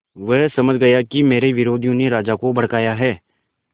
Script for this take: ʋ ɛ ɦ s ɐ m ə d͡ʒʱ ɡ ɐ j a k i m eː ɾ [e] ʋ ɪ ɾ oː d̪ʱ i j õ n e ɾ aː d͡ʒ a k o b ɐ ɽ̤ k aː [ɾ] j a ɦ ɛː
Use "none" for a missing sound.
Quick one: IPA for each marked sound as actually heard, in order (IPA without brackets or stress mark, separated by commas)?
e, none